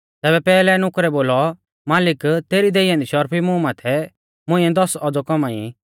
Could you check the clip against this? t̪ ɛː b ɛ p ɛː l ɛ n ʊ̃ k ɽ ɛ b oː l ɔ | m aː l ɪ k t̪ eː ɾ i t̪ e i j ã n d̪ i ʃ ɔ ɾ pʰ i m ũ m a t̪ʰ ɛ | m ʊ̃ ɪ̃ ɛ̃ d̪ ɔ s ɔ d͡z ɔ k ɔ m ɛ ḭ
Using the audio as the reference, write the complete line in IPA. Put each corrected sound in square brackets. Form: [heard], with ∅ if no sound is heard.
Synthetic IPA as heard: t̪ ɛː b ɛ p ɛː l ɛ n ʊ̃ k [ɾ] ɛ b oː l ɔ | m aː l ɪ k t̪ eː ɾ i [d̪] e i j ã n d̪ i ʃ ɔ ɾ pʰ i m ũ m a t̪ʰ ɛ | m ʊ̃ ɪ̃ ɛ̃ d̪ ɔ s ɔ d͡z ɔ k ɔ m [a] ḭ